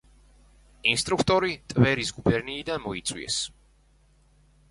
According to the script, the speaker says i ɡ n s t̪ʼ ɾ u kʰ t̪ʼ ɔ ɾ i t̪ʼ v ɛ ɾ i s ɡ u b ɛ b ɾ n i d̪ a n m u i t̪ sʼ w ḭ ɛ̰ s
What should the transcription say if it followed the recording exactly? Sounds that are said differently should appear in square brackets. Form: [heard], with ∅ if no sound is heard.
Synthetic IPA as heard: i [∅] n s t̪ʼ ɾ u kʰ t̪ʼ ɔ ɾ i t̪ʼ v ɛ ɾ i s ɡ u b ɛ [∅] ɾ n [iː] d̪ a n m [ɔ] i t̪ sʼ w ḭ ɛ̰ s